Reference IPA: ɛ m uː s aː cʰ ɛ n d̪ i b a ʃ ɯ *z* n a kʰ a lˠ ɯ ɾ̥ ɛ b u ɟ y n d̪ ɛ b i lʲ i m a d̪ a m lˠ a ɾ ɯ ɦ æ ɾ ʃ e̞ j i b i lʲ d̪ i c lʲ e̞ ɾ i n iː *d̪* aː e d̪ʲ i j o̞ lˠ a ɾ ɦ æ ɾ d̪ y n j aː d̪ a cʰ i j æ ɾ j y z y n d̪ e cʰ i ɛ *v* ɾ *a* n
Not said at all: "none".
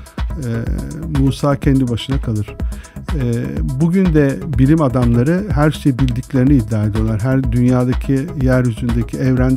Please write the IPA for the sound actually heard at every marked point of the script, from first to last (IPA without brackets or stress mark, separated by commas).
none, d̪ː, v, æ